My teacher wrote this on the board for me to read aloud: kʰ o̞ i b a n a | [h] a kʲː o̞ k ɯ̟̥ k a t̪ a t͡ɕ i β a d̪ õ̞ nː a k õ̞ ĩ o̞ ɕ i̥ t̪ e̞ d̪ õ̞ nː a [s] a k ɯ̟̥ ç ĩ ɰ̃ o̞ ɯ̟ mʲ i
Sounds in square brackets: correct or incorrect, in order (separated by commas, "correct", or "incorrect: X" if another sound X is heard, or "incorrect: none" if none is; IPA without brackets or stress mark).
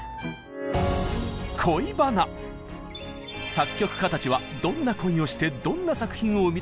incorrect: s, correct